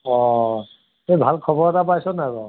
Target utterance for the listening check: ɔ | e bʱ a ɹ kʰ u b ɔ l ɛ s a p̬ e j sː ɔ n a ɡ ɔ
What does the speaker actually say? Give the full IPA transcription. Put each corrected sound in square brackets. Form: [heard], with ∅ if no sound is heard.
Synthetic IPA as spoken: ɔ | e bʱ a [l] kʰ [ɔ] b ɔ [ɹ] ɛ [t] a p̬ [a] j [s] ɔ n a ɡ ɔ